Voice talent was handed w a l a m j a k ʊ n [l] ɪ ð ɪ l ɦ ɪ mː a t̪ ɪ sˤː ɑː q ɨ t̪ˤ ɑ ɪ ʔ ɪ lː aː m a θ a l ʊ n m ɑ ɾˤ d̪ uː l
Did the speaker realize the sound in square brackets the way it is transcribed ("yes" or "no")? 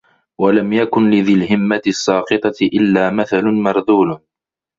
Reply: yes